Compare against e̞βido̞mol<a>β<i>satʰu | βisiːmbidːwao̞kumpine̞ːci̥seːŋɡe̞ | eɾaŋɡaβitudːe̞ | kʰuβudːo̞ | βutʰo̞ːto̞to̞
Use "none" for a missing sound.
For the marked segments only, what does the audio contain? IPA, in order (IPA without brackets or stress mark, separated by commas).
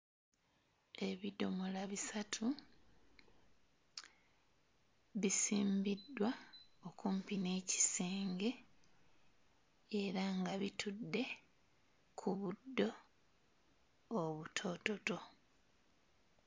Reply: a, i